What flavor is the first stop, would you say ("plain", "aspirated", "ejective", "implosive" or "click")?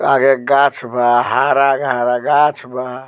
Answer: plain